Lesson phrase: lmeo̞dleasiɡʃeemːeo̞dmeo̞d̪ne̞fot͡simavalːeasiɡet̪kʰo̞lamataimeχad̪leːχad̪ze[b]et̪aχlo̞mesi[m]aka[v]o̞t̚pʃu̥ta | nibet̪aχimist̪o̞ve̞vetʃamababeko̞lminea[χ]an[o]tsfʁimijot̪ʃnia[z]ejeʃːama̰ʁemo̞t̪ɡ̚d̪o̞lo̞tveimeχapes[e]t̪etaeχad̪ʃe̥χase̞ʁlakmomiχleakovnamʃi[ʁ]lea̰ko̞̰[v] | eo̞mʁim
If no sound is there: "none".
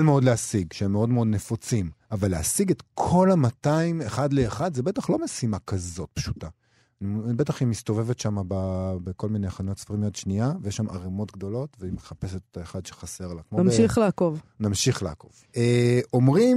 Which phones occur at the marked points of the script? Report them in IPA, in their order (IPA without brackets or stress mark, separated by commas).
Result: b, m, z, χ, o, v, e, χ, v